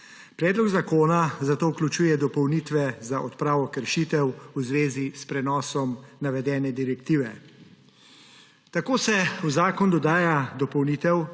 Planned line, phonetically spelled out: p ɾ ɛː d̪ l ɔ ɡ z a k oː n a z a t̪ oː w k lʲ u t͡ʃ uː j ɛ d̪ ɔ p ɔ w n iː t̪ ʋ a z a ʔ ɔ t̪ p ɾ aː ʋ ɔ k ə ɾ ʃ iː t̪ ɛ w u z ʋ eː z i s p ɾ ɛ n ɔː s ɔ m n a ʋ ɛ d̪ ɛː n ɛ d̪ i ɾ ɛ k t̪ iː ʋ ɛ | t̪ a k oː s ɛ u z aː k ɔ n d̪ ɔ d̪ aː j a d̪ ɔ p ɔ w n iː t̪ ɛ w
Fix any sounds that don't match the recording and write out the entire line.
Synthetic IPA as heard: p ɾ ɛː d̪ l ɔ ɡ z a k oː n a z a t̪ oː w k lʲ u t͡ʃ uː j ɛ d̪ ɔ p ɔ w n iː t̪ ʋ ɛ z a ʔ ɔ t̪ p ɾ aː ʋ ɔ k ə ɾ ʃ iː t̪ ɛ w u z ʋ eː z i s p ɾ ɛ n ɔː s ɔ m n a ʋ ɛ d̪ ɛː n ɛ d̪ i ɾ ɛ k t̪ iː ʋ ɛ | t̪ a k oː s ɛ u z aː k ɔ n d̪ ɔ d̪ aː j a d̪ ɔ p ɔ w n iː t̪ ɛ w